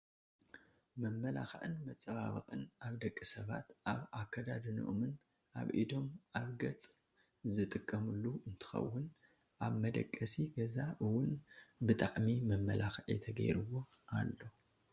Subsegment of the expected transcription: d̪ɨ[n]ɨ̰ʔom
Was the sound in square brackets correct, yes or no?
yes